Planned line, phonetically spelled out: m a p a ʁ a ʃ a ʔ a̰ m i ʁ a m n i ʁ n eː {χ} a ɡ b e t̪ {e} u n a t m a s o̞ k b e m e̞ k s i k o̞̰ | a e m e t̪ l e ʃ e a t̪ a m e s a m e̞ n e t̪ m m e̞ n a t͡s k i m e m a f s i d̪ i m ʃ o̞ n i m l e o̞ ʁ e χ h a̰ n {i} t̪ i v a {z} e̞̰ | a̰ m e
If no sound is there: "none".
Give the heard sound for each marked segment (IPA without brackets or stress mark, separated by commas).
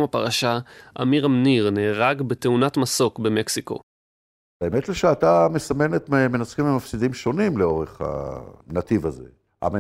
ʁ, e, a, z